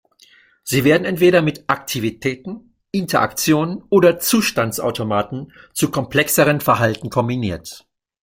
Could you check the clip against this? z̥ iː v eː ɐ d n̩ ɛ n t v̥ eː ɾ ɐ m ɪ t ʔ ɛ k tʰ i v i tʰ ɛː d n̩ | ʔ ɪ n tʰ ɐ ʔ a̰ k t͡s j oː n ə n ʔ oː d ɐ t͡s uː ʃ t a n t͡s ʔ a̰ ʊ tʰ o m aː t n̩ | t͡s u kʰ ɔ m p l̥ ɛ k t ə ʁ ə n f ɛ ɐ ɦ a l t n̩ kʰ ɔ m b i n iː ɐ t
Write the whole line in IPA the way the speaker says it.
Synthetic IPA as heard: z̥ iː v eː ɐ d n̩ ɛ n t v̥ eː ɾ ɐ m ɪ t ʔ a k tʰ i v i tʰ ɛː t n̩ | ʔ ɪ n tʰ ɐ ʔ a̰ k t͡s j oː n ə n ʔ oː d ɐ t͡s uː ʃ t a n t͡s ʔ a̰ ʊ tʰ o m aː t n̩ | t͡s u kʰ ɔ m p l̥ ɛ k s ə ʁ ə n f ɛ ɐ ɦ a l t n̩ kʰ ɔ m b i n iː ɐ t